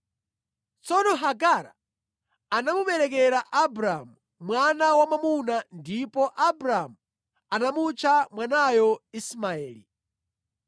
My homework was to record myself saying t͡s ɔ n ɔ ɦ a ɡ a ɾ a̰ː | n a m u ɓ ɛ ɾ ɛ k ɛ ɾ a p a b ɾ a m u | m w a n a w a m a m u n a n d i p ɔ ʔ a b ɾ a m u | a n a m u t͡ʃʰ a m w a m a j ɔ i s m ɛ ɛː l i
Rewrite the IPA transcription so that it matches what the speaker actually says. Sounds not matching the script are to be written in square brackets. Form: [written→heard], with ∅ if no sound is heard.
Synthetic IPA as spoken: t͡s ɔ n ɔ ɦ a ɡ a ɾ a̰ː | n a m u ɓ ɛ ɾ ɛ k ɛ ɾ a [p→ʔ] a b ɾ a m u | m w a n a w a m a m u n a n d i p ɔ ʔ a b ɾ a m u | a n a m u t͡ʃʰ a m w a [m→n] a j ɔ i s m [ɛ→a] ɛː l i